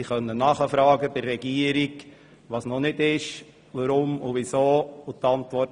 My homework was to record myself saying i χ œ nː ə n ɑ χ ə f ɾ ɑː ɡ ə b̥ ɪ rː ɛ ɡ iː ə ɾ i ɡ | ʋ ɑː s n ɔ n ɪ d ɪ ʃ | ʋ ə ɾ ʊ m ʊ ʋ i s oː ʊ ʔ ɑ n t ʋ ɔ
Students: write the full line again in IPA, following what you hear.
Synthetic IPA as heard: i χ œ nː ə n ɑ χ ə f ɾ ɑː ɡ ə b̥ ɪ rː ɛ ɡ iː ə ɾ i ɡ | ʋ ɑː s n ɔ n ɪ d ɪ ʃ | ʋ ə ɾ ʊ m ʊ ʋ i s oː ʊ t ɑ n t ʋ ɔ